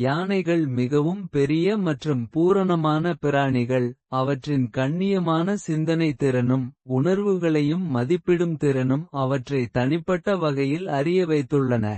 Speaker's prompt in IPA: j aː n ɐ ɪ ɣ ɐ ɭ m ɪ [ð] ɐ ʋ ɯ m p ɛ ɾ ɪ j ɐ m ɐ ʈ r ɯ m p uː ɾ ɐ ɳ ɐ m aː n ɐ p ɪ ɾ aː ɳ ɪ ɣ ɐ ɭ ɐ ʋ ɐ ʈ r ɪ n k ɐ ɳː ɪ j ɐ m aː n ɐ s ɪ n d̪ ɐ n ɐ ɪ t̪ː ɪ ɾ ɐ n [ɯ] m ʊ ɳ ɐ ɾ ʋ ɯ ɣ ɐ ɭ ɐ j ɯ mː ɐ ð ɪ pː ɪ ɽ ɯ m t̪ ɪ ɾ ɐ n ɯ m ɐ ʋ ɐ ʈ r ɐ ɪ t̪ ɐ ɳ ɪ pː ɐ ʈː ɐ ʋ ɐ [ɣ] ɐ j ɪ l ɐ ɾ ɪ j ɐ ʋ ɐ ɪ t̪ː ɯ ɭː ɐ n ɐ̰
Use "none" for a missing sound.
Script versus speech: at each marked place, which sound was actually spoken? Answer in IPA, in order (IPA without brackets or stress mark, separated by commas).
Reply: ɣ, ɯ, ɣ